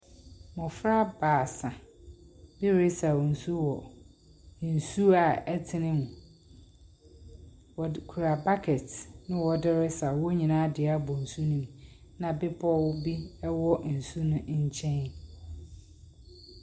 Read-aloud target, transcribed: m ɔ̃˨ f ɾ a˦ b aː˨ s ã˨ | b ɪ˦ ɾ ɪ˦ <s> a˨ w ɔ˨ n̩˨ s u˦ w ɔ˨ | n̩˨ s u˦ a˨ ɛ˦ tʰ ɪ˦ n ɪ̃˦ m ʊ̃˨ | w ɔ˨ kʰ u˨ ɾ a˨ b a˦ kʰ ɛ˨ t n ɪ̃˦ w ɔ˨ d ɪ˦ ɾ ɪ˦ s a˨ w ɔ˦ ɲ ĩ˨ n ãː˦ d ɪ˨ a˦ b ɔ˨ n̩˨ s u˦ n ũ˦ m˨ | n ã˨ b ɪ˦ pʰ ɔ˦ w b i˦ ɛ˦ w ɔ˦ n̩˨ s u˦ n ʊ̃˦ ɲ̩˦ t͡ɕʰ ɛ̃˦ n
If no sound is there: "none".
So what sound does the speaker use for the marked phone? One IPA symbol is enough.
s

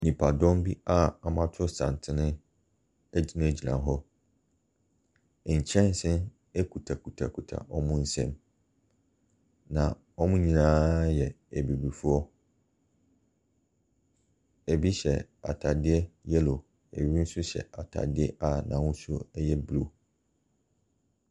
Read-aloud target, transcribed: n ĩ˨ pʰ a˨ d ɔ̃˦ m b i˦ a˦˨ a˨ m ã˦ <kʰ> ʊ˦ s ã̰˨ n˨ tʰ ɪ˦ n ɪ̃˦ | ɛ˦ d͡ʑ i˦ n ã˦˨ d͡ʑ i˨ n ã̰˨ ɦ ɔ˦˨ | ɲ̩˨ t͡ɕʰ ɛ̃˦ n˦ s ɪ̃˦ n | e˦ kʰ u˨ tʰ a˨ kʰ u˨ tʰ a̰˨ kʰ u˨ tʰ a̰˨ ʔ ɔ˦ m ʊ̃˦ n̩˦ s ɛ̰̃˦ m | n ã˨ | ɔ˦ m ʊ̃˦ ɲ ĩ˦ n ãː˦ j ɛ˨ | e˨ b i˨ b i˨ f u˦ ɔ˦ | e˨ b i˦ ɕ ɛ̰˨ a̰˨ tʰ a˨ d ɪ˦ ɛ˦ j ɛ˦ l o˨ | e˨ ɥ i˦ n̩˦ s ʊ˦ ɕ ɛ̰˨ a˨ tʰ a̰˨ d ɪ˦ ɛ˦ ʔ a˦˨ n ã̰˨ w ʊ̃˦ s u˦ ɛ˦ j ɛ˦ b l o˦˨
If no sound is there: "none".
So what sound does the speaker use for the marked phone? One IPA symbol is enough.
tʰ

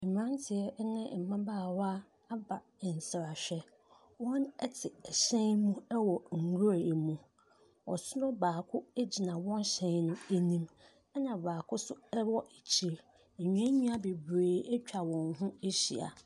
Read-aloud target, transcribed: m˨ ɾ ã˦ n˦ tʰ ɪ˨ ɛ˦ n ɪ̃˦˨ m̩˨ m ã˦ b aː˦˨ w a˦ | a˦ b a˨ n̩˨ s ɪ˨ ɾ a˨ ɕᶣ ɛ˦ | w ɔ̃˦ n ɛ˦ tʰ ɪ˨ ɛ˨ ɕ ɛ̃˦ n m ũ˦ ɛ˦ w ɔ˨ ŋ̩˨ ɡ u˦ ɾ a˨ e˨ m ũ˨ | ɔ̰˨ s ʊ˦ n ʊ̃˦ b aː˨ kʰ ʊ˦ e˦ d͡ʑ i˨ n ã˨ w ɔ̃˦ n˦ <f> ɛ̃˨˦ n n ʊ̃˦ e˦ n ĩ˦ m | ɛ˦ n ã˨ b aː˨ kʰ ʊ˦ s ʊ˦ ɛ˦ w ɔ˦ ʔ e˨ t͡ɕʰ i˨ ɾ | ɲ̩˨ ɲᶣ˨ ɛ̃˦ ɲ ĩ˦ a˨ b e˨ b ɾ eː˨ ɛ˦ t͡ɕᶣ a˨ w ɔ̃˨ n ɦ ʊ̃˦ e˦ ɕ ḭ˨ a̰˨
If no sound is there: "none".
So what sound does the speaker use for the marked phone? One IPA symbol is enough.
ɕ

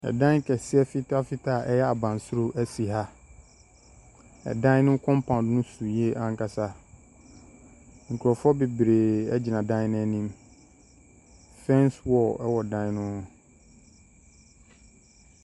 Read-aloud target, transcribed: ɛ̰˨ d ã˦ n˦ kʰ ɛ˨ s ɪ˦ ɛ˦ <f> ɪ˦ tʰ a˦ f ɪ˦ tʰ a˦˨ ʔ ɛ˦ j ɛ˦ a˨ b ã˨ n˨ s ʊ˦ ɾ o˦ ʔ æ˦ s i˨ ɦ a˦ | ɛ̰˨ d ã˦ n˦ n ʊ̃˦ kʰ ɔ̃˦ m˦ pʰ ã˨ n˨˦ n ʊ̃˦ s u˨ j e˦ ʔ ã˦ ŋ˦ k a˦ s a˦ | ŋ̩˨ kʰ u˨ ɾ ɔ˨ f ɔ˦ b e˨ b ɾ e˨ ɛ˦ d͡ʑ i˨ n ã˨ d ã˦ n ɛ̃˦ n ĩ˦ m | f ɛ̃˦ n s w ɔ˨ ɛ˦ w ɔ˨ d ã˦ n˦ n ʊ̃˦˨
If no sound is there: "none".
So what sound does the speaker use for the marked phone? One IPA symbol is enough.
f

